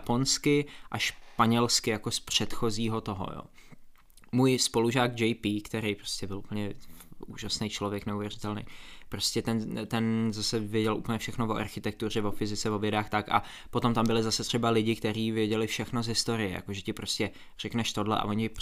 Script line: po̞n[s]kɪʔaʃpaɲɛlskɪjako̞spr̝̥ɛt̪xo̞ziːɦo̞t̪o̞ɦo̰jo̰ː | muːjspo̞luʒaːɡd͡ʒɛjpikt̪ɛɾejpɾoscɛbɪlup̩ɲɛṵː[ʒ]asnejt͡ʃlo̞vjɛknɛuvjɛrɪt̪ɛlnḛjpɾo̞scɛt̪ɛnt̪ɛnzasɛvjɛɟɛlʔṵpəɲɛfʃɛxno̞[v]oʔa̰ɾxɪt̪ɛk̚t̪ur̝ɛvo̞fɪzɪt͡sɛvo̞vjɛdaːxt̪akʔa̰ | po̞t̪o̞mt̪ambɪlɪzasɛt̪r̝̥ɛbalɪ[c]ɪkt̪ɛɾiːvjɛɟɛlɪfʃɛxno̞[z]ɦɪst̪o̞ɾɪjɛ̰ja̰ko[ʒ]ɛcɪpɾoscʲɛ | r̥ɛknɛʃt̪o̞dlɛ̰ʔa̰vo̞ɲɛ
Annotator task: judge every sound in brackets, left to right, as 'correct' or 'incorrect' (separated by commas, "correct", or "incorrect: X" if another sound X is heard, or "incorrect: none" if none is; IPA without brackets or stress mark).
correct, correct, correct, incorrect: ɟ, correct, correct